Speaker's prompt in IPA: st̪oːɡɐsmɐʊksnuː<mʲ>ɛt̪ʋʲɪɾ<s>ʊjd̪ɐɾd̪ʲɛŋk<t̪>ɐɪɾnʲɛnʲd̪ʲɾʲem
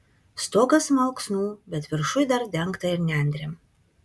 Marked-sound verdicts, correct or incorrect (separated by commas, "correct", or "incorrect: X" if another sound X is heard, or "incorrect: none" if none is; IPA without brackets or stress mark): incorrect: bʲ, incorrect: ʃ, correct